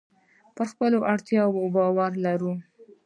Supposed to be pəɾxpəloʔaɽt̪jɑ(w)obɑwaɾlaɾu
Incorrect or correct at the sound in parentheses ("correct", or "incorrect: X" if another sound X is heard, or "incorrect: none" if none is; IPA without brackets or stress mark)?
correct